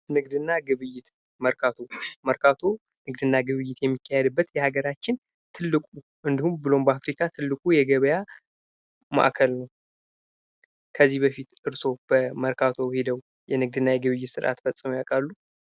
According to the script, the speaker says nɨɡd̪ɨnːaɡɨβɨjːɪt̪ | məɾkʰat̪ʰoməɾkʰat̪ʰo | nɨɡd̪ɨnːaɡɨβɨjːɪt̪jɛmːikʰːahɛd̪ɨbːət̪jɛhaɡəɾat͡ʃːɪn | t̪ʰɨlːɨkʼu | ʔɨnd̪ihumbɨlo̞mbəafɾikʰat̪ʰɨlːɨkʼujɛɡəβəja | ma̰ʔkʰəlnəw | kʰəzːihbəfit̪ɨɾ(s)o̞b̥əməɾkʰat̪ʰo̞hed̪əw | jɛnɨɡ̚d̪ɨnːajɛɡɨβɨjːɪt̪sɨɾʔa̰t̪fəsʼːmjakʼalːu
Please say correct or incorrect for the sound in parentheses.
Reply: correct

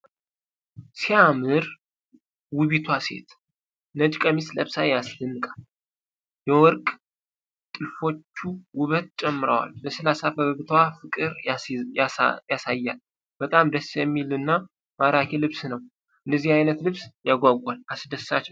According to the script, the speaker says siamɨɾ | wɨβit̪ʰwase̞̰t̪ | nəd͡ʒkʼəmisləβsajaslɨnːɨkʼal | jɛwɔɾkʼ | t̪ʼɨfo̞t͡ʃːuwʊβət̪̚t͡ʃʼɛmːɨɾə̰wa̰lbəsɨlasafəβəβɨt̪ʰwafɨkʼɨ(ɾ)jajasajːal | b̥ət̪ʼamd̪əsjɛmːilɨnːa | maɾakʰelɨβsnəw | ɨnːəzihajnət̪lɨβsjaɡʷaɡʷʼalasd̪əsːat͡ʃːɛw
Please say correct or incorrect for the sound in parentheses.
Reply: correct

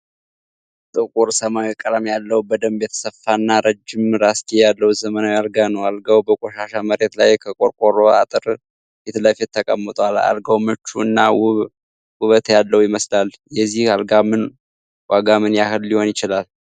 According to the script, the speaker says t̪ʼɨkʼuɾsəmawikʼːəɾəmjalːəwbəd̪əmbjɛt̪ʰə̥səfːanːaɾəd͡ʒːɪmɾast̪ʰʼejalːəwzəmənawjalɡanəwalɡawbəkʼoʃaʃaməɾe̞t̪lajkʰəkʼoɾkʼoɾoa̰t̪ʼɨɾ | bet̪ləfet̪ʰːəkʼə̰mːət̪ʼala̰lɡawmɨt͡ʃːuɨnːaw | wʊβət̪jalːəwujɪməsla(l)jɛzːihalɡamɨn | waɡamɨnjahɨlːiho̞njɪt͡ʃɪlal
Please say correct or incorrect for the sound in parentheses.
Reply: correct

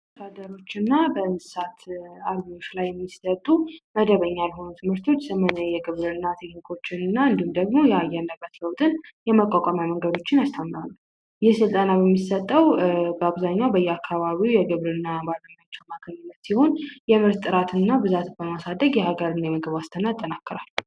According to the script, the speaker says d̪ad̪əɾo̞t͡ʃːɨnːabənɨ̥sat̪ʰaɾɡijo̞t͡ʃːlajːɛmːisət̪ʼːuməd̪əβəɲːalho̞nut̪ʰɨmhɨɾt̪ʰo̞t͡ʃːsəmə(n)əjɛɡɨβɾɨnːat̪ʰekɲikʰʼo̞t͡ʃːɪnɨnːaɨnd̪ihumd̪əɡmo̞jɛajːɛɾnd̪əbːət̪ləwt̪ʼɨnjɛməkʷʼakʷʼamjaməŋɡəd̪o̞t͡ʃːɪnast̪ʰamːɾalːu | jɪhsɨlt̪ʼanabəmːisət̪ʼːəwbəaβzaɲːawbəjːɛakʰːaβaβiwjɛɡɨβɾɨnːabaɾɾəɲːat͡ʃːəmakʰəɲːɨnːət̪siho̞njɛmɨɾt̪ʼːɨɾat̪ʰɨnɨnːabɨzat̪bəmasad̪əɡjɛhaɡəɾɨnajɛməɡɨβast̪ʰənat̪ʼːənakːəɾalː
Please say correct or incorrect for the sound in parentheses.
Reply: correct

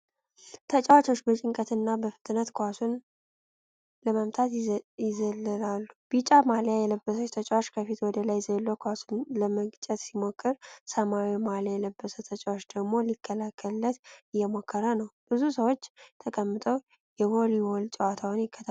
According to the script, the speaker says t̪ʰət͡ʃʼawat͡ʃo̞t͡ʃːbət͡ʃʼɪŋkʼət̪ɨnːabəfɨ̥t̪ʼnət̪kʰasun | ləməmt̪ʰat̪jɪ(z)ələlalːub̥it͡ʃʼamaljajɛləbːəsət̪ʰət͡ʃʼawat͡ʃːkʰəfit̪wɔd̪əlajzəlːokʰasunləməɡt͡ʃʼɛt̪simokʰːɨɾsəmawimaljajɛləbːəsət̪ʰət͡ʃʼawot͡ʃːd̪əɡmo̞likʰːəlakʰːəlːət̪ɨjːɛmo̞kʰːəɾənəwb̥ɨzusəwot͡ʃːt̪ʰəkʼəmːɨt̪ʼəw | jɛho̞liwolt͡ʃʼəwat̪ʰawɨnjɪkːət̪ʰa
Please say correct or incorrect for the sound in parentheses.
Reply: correct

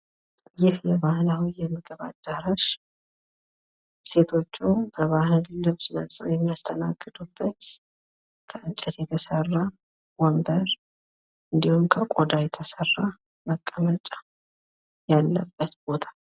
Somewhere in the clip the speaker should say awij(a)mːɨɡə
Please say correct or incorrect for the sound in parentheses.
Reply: incorrect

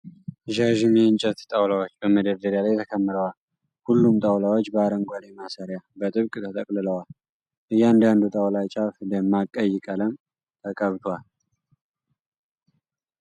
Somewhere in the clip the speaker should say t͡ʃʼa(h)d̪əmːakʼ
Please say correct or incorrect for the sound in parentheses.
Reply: incorrect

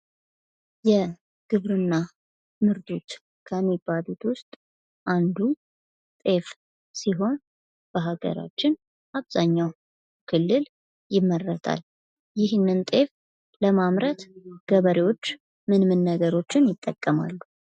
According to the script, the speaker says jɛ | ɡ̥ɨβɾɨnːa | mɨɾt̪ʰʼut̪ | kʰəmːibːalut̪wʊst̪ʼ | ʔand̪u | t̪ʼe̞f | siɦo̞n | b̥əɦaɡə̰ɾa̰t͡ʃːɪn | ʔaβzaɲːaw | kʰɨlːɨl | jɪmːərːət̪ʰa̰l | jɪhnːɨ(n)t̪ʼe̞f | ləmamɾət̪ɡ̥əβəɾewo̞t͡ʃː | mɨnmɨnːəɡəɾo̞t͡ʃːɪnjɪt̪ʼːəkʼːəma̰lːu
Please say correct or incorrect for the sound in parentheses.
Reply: correct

